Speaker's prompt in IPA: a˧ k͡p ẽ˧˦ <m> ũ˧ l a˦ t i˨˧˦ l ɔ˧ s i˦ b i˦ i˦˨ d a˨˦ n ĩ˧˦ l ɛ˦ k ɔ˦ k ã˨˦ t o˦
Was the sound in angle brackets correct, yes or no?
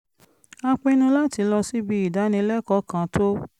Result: no